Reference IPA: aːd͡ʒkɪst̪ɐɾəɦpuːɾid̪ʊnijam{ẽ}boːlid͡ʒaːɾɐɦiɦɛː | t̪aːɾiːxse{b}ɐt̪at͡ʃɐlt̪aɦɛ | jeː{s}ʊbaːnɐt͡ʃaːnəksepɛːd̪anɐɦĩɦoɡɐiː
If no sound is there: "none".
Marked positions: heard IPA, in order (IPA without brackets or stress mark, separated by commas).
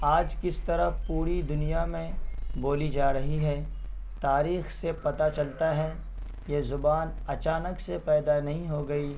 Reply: ẽ, p, z